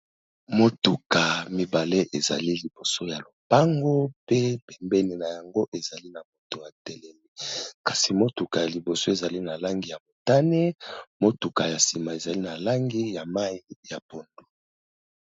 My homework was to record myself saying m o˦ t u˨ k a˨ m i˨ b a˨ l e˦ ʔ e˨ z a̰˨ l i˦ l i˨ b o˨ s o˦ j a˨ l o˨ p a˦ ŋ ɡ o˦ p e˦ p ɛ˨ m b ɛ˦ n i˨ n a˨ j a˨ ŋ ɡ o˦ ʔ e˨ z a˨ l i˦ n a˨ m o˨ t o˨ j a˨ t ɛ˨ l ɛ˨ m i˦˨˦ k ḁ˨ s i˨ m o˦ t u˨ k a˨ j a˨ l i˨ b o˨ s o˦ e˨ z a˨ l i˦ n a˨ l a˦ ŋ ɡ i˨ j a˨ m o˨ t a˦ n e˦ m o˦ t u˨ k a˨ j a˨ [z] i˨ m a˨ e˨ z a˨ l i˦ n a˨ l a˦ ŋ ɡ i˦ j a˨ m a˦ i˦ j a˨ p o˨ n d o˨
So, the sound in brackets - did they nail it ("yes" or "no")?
no